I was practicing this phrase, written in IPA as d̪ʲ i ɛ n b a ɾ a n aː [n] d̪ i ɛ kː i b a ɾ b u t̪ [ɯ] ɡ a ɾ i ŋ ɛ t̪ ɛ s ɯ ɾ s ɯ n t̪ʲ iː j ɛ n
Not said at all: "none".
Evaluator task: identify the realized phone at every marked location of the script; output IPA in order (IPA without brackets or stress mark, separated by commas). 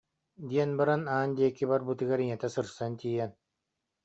n, ɯ